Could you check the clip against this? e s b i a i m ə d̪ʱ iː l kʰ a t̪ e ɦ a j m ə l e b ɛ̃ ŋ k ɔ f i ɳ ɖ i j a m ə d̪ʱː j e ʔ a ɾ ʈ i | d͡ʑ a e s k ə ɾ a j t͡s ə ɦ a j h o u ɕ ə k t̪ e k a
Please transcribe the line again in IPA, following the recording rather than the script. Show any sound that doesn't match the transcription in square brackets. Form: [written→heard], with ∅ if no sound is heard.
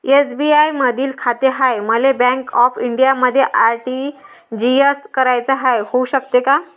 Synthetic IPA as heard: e s b i a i m ə d̪ʱ iː l kʰ a t̪ e ɦ a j m ə l e b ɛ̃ ŋ k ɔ f i ɳ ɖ i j a m ə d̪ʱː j e ʔ a ɾ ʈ i | d͡ʑ [a→i] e s k ə ɾ a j t͡s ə ɦ a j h o u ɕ ə k t̪ e k a